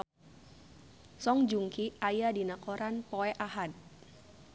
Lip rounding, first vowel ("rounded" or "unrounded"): rounded